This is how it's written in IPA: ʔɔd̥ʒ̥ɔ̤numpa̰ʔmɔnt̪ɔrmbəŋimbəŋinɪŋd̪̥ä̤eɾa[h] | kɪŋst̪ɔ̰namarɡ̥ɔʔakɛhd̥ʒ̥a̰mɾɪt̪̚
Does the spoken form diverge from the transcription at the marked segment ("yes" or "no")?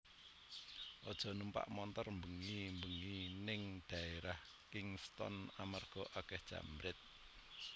no